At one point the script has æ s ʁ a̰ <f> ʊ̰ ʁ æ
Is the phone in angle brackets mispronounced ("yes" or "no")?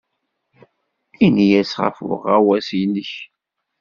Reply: no